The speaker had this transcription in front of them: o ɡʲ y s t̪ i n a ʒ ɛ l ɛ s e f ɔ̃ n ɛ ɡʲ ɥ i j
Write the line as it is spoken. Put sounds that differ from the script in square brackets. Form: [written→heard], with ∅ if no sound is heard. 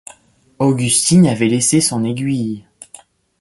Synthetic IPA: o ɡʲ y s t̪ i n a [ʒ→v] ɛ l [ɛ→e] s e [f→s] ɔ̃ n [ɛ→e] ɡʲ ɥ i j